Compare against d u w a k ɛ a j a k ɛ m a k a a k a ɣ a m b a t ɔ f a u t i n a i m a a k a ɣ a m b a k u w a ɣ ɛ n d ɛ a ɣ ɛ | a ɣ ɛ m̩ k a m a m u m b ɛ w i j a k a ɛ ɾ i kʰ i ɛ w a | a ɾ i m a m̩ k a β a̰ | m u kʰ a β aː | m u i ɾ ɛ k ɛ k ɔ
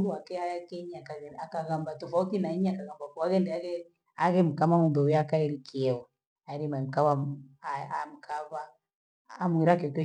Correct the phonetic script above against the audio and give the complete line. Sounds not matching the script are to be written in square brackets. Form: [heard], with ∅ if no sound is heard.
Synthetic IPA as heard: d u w a k ɛ a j a k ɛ [ɲ] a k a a k a ɣ a m b a t ɔ f a u t i n a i [ɲ] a a k a ɣ a m b a k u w a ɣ ɛ n d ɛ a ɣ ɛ | a ɣ ɛ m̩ k a m a m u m b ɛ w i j a k a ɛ ɾ i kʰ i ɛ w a | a ɾ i m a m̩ k a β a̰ | m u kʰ a β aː | m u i ɾ [a] k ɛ k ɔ